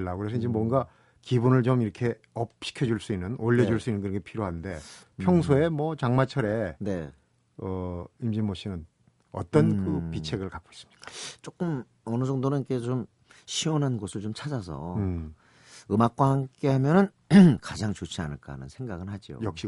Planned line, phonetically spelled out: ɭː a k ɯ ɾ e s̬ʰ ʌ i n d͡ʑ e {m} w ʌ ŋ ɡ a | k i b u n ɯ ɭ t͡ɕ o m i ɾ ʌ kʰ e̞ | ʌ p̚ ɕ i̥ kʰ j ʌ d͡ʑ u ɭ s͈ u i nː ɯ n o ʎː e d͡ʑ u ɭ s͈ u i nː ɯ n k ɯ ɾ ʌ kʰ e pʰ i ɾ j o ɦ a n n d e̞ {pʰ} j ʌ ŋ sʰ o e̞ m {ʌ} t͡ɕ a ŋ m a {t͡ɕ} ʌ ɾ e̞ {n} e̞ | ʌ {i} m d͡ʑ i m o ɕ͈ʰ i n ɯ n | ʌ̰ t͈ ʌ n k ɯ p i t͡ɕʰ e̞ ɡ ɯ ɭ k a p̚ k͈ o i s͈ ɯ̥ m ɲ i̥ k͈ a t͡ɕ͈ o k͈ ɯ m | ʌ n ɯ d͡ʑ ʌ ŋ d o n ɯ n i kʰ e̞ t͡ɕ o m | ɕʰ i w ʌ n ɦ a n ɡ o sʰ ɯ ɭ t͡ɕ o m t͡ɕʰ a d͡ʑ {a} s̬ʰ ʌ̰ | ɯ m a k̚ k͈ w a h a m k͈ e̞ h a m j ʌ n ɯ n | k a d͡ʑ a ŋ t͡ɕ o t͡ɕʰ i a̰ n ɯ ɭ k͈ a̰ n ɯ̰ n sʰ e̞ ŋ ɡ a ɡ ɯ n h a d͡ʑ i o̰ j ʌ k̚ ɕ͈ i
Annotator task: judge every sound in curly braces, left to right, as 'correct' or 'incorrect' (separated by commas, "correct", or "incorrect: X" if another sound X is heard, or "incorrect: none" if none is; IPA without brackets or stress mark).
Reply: correct, correct, correct, incorrect: t͡ɕʰ, correct, correct, correct